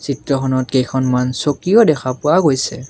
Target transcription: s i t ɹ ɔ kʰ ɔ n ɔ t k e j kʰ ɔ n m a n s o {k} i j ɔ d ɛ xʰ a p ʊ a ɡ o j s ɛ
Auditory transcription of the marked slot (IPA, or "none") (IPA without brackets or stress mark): k